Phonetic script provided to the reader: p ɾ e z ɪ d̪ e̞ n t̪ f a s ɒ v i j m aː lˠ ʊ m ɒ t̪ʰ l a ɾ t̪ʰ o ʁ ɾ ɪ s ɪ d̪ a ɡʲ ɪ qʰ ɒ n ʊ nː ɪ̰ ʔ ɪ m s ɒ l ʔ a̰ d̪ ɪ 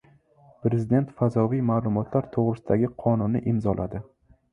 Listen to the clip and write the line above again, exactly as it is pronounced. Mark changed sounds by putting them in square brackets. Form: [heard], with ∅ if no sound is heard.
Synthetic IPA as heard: p ɾ e z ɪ d̪ e̞ n t̪ f a [z] ɒ v i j m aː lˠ ʊ m ɒ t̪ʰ l a ɾ t̪ʰ o ʁ ɾ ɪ s ɪ d̪ a ɡʲ ɪ qʰ ɒ n ʊ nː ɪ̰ ʔ ɪ m [z] ɒ l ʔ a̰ d̪ ɪ